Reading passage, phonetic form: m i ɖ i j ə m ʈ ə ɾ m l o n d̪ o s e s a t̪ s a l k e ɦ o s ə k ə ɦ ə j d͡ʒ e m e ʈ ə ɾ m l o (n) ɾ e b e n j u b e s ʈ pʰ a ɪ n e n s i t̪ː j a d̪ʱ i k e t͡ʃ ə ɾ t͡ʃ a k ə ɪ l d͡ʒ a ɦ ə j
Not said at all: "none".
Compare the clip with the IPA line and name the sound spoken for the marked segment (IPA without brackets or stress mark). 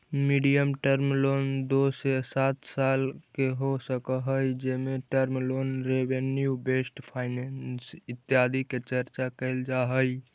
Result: n